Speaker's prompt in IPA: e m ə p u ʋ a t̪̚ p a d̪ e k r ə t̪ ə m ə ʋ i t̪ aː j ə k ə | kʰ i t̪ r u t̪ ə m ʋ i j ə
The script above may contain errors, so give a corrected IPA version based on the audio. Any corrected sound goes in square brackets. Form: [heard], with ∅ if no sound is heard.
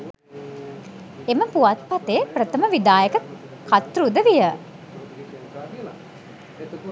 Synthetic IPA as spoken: e m ə p u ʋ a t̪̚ p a [t̪] e [p] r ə t̪ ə m ə ʋ i [d̪] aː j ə k ə | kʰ [a] t̪ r u [d̪] ə [∅] ʋ i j ə